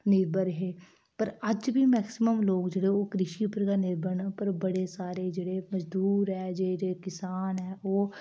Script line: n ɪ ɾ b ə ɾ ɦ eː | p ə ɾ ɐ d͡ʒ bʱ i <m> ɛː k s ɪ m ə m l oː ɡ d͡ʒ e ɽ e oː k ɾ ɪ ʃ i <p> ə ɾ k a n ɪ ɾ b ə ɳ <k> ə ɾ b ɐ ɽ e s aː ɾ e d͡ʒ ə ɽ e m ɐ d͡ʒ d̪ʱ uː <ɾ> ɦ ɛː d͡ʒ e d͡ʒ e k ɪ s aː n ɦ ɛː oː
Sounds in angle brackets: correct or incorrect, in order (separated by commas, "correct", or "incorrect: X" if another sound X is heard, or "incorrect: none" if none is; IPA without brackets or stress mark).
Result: correct, correct, incorrect: p, correct